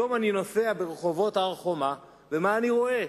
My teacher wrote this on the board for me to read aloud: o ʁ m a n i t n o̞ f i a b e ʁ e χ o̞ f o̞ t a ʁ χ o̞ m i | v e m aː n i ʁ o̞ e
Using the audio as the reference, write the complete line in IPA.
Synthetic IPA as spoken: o m a n i n o̞ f e a b e ʁ e χ o̞ v o̞ t a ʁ χ o̞ m a | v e m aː n i ʁ o̞ e